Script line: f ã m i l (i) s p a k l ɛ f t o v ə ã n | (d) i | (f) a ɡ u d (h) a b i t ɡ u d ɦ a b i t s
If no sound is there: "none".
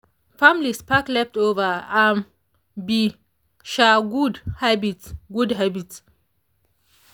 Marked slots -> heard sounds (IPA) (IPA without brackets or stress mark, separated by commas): i, b, ʃ, h